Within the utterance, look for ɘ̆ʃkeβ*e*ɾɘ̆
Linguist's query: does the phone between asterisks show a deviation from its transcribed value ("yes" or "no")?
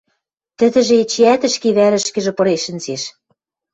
yes